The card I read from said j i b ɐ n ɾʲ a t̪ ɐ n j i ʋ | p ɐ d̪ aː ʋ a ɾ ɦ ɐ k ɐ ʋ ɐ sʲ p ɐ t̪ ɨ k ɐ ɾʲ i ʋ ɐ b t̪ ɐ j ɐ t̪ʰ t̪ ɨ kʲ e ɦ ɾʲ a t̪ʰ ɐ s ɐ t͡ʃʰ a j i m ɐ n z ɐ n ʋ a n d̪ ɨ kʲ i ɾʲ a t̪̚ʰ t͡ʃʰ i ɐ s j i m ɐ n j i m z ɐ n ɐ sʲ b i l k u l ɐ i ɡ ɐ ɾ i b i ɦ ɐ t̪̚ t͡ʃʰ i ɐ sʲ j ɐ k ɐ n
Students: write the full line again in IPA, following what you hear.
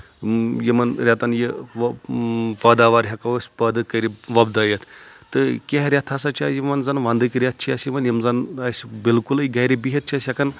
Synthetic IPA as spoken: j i m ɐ n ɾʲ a t̪ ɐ n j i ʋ | p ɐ d̪ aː ʋ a ɾ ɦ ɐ k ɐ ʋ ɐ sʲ p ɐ d̪ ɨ k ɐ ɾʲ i ʋ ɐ b d̪ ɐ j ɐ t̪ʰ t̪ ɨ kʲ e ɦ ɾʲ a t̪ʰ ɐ s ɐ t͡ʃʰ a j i m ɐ n z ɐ n ʋ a n d̪ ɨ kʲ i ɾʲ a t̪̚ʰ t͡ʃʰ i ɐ s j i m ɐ n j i m z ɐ n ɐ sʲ b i l k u l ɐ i ɡ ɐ ɾ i b i ɦ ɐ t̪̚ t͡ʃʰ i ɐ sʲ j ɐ k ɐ n